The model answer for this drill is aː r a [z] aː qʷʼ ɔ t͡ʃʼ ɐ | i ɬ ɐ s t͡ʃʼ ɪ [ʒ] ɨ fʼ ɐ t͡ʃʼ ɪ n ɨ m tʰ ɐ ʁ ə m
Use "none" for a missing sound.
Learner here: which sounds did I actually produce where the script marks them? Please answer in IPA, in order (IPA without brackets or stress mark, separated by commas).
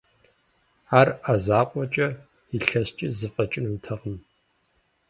z, z